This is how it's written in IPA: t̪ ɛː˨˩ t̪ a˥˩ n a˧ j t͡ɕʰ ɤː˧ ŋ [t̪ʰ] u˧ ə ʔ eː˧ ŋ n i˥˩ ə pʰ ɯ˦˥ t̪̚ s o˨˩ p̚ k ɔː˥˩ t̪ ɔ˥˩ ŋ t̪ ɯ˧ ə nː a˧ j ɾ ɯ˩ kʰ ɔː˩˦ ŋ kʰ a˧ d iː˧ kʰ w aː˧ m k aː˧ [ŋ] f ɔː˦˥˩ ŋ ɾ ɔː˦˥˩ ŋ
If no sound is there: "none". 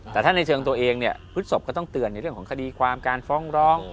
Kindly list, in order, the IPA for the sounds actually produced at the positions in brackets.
t̪, n

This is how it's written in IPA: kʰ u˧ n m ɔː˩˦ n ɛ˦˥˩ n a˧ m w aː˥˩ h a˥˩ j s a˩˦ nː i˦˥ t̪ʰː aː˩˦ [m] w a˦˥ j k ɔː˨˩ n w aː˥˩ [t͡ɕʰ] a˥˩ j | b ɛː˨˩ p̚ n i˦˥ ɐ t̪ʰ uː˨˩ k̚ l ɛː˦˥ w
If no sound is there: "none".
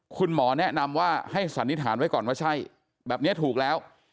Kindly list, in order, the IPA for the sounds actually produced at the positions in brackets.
n, t͡ɕʰ

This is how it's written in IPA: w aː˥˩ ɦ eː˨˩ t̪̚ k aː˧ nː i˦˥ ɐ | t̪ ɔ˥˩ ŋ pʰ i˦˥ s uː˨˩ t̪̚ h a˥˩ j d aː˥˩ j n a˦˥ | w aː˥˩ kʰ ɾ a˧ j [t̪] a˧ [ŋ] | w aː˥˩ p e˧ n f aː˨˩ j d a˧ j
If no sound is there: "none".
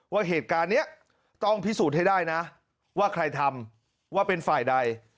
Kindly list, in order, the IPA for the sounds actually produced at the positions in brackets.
t̪ʰ, m

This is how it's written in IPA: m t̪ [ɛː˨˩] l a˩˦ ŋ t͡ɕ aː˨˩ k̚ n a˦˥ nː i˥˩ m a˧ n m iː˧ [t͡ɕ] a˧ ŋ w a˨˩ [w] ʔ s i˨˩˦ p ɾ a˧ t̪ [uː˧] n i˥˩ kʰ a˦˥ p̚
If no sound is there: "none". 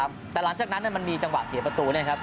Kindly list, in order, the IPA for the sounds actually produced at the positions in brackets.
ɛː˨˩, t͡ɕ, none, uː˧

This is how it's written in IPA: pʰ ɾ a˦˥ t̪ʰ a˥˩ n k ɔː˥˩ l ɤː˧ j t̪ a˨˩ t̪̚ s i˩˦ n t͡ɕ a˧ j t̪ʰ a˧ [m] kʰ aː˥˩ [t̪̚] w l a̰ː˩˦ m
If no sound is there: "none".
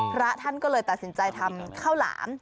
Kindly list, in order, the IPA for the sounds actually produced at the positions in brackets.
m, none

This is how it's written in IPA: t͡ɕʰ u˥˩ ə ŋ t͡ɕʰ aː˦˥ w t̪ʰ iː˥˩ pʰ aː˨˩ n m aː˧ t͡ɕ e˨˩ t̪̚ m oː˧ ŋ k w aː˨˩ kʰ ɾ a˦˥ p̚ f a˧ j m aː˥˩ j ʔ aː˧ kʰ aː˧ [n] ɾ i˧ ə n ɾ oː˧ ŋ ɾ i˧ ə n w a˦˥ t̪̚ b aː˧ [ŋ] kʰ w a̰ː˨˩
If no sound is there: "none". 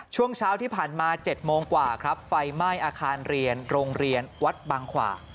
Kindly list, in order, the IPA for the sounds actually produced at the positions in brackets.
n, ŋ

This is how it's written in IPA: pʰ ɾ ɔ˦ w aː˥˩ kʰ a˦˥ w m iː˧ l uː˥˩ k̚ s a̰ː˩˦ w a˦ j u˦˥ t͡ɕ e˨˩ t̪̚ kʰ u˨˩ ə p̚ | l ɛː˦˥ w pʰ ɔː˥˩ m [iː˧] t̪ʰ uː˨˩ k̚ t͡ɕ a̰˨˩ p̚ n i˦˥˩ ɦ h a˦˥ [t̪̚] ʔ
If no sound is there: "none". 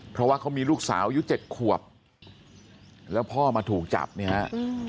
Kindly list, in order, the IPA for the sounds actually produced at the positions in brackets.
aː˧, none

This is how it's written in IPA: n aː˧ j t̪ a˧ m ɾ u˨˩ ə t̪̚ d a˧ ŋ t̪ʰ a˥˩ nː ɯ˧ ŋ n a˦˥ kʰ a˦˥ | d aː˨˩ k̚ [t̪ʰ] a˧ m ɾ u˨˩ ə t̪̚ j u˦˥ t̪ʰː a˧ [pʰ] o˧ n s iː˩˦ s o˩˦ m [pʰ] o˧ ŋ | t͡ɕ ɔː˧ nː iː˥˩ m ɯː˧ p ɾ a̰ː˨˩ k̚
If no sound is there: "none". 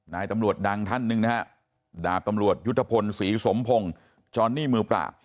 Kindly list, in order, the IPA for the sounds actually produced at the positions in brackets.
t̪, pʰ, pʰ

